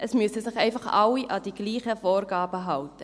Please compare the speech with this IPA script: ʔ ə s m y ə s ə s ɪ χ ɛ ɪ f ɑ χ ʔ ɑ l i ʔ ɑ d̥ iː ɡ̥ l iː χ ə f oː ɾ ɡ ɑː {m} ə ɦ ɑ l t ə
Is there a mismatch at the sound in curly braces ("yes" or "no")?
yes